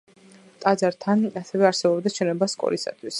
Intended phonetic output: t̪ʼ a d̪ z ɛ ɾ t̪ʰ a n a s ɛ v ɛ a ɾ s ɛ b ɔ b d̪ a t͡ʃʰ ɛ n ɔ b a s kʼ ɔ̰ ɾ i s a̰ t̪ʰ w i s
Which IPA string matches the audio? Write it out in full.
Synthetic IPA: t̪ʼ a d̪ z a ɾ t̪ʰ a n a s ɛ v ɛ a ɾ s ɛ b ɔ b d̪ a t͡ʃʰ ɛ n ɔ b a s kʼ ɔ̰ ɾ i s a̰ t̪ʰ w i s